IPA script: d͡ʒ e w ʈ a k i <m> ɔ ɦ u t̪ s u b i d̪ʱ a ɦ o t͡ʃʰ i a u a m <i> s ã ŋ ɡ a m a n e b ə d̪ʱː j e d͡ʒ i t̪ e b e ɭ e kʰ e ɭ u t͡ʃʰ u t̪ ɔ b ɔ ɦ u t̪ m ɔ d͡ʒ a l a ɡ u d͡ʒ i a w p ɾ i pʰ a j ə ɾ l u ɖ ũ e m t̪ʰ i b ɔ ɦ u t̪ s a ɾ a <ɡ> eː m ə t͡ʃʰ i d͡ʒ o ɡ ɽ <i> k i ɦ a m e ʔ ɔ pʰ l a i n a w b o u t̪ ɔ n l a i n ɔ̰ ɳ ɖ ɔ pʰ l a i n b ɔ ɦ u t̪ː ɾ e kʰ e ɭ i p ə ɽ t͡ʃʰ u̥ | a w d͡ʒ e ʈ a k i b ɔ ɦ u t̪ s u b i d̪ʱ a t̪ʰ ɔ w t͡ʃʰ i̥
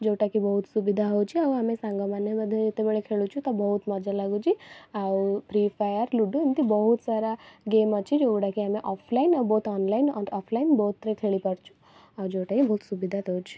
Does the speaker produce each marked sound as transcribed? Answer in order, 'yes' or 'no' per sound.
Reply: no, no, yes, no

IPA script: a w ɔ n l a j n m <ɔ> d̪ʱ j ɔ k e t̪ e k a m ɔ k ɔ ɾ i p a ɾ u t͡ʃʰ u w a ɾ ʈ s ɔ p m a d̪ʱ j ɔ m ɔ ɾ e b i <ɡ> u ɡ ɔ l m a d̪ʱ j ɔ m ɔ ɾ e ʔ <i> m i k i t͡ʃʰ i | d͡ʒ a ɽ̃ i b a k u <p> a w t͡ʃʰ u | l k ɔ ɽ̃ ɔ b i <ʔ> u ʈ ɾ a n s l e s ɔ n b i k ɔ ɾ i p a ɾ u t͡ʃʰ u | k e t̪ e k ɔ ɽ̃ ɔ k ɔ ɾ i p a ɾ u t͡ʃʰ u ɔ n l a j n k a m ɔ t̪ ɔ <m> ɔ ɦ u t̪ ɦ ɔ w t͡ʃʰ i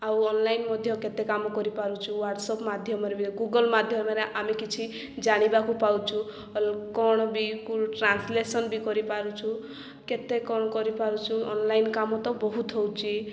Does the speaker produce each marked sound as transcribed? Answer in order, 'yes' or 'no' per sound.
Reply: yes, yes, no, yes, no, no

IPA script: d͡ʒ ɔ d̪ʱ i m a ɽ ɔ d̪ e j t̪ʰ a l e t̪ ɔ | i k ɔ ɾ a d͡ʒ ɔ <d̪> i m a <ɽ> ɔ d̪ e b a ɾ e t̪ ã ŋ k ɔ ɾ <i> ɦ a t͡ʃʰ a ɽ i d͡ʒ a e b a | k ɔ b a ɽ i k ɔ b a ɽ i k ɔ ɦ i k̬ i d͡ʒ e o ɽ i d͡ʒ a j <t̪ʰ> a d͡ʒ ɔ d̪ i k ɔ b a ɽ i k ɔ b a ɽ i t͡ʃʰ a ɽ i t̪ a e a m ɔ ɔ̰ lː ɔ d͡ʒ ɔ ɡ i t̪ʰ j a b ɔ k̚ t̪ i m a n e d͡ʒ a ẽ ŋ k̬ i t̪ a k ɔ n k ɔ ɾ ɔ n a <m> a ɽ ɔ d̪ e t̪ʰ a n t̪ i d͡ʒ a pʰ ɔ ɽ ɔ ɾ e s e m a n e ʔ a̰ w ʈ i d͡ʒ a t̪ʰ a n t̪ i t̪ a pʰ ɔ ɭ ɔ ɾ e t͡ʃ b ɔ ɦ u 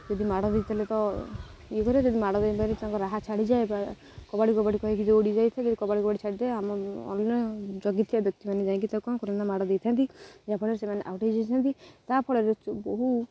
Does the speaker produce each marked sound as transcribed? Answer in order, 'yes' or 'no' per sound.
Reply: yes, yes, no, yes, yes

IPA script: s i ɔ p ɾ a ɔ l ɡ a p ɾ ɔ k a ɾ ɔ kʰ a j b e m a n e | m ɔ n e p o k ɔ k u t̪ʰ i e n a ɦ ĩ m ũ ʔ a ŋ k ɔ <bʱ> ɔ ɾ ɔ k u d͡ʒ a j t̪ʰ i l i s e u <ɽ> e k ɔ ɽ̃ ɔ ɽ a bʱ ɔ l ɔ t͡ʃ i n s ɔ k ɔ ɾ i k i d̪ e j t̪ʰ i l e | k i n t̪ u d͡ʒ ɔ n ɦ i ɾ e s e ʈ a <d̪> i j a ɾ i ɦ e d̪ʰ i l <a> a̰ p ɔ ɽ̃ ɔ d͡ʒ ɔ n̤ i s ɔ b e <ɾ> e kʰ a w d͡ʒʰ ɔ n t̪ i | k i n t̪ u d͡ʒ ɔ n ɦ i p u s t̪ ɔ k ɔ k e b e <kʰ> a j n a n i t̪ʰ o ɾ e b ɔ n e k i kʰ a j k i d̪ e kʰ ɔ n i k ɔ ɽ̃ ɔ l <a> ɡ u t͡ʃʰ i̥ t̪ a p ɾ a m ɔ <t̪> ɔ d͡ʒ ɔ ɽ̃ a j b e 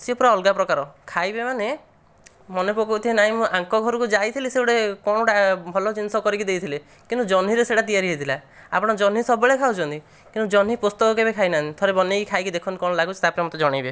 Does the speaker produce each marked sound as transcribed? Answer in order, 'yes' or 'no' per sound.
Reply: no, yes, no, yes, no, yes, yes, yes

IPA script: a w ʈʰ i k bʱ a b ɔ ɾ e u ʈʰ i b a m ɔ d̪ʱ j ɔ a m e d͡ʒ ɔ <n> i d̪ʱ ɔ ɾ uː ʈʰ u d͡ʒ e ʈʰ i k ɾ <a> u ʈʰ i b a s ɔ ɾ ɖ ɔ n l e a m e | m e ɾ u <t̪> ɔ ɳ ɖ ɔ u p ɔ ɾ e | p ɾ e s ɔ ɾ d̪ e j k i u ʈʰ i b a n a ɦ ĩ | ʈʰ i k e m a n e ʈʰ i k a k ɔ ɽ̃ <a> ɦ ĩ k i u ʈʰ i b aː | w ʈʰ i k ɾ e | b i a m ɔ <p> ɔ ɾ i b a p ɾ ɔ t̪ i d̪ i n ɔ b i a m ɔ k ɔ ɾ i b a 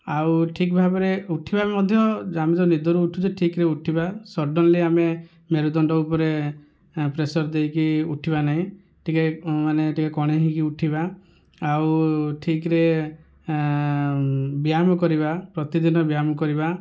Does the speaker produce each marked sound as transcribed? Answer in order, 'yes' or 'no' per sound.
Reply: yes, no, no, no, no

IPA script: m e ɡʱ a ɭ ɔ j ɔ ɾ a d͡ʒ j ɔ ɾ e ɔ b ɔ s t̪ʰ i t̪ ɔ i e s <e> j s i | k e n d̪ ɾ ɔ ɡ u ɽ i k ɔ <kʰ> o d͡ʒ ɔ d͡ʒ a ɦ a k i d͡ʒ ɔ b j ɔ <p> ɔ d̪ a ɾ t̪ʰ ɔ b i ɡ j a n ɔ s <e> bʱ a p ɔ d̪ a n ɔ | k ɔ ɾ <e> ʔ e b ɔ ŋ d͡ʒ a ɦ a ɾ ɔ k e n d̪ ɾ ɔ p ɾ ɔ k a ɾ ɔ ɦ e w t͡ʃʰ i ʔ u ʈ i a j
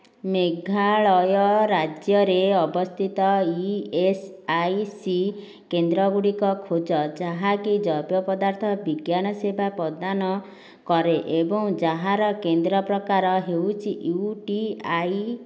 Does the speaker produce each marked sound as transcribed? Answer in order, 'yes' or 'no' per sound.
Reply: no, yes, yes, yes, yes

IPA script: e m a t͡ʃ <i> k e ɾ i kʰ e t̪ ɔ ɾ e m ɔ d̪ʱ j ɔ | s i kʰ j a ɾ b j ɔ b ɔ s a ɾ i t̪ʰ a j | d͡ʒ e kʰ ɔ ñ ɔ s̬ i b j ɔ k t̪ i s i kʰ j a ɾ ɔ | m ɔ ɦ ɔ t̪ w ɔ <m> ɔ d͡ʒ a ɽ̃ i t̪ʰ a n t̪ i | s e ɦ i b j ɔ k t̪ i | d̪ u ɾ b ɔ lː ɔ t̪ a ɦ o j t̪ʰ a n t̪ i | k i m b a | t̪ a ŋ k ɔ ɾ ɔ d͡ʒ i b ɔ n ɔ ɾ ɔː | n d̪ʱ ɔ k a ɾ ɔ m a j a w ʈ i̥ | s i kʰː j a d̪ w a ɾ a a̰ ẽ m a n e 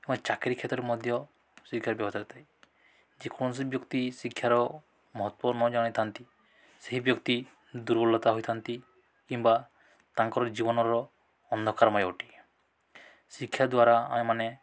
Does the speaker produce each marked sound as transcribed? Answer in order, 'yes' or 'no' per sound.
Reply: no, no

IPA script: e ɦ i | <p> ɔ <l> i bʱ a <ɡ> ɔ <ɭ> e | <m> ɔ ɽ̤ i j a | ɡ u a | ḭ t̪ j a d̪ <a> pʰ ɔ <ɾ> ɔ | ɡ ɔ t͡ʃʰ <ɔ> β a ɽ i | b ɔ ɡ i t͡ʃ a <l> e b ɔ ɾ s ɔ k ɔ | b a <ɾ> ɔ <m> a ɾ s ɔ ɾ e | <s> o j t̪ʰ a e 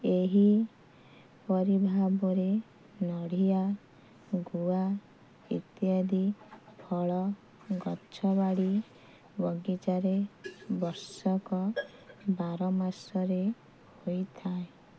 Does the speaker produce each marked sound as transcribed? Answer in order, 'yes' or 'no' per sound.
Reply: yes, no, no, no, no, no, no, yes, no, yes, yes, no

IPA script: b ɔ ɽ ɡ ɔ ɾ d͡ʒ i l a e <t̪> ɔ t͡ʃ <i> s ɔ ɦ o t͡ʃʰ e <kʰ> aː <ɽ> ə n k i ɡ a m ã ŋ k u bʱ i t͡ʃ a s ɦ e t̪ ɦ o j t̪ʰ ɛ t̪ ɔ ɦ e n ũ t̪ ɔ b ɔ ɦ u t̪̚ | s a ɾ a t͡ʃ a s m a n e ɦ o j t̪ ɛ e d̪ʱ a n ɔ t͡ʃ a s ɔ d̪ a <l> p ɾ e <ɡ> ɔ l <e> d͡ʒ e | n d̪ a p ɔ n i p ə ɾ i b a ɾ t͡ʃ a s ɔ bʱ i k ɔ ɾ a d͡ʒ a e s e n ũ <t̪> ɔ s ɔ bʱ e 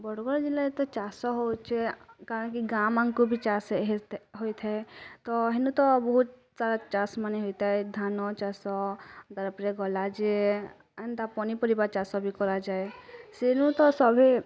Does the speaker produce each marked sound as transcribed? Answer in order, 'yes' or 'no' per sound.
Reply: yes, no, no, no, no, yes, no, yes

